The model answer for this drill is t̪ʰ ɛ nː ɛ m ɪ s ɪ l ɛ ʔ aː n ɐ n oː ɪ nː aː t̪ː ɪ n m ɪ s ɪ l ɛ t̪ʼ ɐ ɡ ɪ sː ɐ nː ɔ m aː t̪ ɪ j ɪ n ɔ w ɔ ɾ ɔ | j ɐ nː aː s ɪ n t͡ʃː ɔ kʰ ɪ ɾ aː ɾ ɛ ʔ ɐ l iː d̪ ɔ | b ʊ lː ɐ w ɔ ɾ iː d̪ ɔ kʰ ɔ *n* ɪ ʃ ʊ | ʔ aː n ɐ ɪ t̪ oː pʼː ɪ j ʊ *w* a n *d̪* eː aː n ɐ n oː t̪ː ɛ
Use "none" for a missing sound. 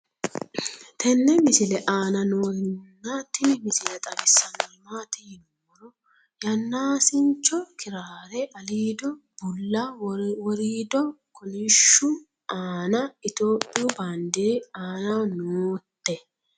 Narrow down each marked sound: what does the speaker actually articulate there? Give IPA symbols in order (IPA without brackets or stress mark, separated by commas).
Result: n, b, d̪